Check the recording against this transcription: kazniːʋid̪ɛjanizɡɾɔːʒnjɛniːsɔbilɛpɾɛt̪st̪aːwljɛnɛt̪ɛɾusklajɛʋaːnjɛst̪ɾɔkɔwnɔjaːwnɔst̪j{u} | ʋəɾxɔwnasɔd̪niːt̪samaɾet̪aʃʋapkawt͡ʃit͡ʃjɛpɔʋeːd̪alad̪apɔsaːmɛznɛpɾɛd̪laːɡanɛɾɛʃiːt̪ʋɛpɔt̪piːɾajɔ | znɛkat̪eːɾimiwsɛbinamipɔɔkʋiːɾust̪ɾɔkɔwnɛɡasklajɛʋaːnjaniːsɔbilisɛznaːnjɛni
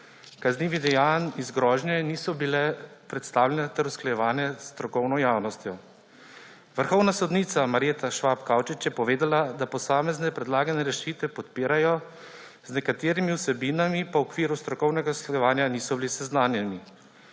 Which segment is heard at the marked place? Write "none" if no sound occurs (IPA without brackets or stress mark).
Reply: ɔ